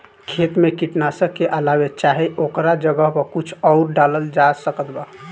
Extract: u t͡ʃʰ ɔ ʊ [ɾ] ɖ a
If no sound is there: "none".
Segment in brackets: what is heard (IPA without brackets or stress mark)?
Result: ɾ